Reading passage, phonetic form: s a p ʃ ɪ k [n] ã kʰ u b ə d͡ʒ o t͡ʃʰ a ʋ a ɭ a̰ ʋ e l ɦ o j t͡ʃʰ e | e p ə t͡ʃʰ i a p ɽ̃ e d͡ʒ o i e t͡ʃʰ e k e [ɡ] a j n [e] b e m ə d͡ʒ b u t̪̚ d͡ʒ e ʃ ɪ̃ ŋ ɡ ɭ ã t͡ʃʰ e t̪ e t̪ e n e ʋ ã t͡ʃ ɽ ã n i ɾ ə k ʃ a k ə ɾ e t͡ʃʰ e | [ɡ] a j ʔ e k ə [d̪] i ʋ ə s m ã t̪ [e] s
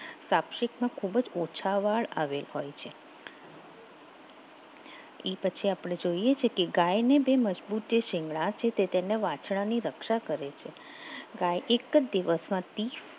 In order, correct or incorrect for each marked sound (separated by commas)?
incorrect, correct, correct, correct, correct, incorrect